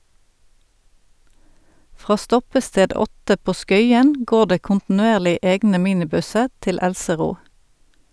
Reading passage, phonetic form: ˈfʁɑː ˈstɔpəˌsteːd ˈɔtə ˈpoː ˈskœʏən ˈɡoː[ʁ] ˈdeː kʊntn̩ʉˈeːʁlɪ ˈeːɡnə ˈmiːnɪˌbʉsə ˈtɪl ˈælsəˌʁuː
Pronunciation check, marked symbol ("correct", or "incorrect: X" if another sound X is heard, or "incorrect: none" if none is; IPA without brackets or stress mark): correct